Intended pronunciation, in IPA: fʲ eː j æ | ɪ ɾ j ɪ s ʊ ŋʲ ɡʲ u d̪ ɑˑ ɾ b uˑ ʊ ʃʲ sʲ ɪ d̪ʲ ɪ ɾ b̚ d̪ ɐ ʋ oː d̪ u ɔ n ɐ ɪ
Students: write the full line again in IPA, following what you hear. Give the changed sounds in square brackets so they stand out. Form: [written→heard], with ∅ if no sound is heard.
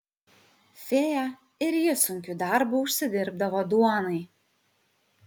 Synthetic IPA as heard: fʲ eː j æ | ɪ ɾ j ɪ s ʊ ŋʲ [ɡʲ→kʲ] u d̪ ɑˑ ɾ b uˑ ʊ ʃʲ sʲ ɪ d̪ʲ ɪ ɾ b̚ d̪ ɐ ʋ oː d̪ u ɔ n ɐ ɪ